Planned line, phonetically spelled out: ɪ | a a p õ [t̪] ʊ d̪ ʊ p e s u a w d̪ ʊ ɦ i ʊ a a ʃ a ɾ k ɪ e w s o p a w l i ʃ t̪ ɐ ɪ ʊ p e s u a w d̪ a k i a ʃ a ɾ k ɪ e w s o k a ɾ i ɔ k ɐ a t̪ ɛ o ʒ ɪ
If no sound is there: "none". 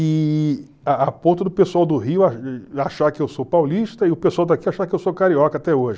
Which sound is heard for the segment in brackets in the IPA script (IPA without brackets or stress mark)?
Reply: t̪